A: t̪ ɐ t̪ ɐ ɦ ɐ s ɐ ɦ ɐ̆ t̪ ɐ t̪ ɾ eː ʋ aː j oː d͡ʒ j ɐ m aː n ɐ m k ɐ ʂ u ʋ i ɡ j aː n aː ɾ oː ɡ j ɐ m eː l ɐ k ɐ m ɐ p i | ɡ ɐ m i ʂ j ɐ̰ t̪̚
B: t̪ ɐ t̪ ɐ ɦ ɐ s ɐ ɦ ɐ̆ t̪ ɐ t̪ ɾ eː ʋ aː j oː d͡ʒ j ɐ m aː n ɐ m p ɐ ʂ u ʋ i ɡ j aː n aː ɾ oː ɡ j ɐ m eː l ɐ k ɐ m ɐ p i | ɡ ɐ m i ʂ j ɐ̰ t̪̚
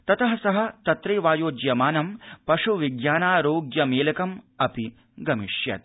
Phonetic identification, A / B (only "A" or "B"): B